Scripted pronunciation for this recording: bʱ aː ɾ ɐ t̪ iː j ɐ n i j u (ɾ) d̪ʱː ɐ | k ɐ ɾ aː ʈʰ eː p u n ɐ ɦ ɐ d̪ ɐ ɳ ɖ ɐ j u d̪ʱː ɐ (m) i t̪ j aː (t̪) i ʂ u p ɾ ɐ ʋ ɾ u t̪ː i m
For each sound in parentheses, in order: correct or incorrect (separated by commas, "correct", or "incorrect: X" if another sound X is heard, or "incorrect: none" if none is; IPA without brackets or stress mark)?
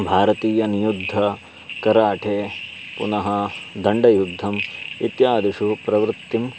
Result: incorrect: none, correct, incorrect: d̪